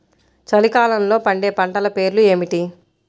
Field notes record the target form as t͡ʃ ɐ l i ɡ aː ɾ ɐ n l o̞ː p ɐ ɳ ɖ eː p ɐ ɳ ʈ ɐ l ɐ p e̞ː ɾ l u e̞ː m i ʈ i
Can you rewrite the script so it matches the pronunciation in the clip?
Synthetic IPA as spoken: t͡ʃ ɐ l i k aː l ɐ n l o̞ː p ɐ ɳ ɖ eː p ɐ ɳ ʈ ɐ l ɐ p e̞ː ɾ l u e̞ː m i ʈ i